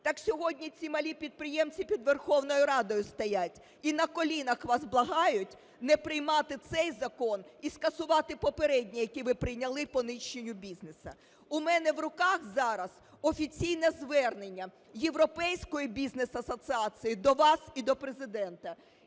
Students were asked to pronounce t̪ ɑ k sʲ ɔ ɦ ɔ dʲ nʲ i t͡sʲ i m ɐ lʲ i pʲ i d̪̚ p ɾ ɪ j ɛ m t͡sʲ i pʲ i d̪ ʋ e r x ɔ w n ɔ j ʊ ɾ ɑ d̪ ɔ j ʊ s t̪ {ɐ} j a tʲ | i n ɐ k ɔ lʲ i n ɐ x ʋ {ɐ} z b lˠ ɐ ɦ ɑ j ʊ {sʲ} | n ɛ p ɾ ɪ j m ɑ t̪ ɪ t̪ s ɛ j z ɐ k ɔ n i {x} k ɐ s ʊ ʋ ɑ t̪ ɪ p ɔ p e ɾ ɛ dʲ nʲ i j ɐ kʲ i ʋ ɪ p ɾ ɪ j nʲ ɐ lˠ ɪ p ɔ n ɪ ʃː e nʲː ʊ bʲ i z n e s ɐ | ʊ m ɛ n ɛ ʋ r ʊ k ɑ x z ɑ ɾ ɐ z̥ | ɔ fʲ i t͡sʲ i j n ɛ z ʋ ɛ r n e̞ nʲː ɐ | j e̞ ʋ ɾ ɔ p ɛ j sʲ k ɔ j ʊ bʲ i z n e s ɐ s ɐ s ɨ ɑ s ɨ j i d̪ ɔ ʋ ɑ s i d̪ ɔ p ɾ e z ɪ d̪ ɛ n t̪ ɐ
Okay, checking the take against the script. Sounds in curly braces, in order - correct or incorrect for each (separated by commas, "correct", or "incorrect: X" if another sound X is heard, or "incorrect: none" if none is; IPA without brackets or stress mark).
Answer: correct, incorrect: ɑ, incorrect: tʲ, incorrect: s